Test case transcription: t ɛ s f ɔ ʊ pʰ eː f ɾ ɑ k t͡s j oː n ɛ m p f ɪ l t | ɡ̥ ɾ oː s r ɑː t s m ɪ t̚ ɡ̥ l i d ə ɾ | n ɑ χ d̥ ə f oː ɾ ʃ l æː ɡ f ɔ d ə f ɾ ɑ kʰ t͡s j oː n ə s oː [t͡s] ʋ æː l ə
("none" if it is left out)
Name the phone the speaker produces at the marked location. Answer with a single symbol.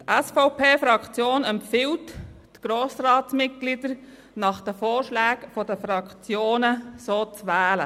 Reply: t͡s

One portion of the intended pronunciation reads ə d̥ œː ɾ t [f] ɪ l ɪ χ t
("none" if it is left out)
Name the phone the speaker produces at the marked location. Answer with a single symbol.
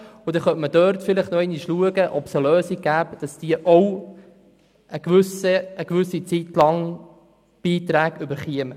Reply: f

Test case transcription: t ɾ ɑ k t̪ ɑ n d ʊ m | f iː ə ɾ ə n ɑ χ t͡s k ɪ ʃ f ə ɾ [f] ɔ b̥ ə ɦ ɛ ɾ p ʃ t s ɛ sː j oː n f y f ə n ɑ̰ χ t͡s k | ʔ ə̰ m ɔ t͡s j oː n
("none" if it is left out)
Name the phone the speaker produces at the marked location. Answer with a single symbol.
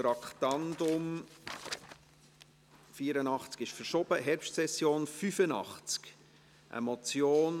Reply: ʃ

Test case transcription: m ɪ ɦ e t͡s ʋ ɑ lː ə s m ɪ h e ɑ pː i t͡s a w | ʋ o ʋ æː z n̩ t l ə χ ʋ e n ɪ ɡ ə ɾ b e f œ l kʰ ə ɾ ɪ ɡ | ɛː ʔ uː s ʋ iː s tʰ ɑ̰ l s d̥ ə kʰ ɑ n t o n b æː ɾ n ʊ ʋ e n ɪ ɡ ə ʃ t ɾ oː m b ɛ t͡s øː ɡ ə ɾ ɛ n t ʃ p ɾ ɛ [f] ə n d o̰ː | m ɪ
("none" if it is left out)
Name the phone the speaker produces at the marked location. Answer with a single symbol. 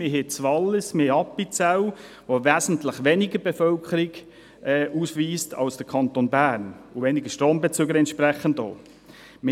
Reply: χ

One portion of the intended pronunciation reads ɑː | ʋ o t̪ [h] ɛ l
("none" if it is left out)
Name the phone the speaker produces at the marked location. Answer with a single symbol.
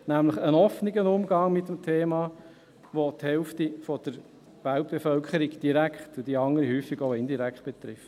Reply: h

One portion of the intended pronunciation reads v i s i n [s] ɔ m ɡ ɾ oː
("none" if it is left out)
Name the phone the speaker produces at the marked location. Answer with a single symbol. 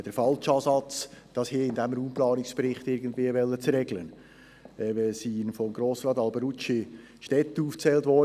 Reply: f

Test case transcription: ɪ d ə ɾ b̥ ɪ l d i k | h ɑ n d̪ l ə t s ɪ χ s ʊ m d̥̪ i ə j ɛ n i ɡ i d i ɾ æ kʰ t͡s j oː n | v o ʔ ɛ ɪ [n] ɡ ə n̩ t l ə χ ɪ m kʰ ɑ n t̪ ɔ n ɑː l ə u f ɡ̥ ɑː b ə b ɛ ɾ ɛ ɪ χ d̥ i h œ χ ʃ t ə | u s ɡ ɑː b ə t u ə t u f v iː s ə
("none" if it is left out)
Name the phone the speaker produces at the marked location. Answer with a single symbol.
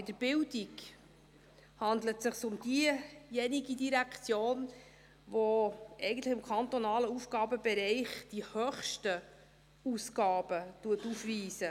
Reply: none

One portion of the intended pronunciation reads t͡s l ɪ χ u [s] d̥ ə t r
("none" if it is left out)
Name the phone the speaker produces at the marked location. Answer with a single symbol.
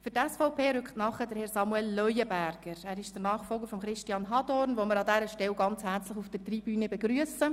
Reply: f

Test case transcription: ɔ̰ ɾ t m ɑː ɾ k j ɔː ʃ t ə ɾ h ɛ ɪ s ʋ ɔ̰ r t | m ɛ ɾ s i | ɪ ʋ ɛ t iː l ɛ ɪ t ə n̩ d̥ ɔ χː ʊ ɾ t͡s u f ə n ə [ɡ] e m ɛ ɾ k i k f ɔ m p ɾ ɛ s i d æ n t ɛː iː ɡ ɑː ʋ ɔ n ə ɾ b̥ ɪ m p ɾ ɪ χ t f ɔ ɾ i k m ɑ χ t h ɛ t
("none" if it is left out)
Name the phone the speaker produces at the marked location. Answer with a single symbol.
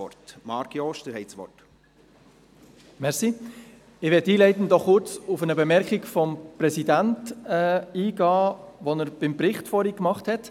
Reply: b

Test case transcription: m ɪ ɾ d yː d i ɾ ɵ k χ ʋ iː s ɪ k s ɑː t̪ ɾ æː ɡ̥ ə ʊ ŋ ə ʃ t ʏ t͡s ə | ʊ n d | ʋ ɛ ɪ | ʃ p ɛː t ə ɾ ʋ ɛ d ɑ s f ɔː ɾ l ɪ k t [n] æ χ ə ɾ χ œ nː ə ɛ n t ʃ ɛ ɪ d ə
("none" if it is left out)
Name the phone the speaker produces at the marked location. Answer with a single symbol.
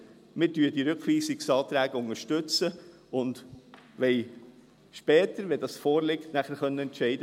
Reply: n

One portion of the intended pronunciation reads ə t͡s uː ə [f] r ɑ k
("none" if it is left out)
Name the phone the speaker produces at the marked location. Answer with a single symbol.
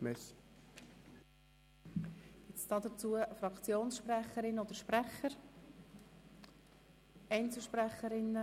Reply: f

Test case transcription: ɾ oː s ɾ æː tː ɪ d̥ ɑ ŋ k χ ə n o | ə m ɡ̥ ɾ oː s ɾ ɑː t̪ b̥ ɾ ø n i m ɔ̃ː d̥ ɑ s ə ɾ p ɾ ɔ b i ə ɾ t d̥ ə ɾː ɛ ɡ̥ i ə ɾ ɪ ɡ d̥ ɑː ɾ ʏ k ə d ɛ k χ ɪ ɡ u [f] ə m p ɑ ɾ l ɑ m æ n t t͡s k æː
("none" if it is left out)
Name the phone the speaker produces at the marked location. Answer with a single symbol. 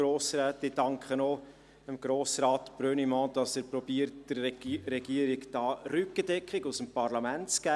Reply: s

